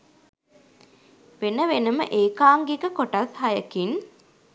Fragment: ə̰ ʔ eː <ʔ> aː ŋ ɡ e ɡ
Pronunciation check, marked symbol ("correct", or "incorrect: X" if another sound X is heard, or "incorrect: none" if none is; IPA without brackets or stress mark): incorrect: k